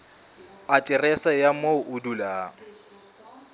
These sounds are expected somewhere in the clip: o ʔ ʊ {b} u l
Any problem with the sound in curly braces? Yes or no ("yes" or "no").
yes